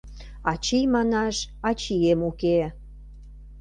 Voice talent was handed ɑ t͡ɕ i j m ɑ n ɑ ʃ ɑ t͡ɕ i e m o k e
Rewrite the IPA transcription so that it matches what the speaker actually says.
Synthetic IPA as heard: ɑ t͡ɕ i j m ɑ n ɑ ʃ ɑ t͡ɕ i e m u k e